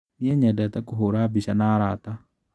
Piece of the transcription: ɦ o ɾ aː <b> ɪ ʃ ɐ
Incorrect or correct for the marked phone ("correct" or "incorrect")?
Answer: correct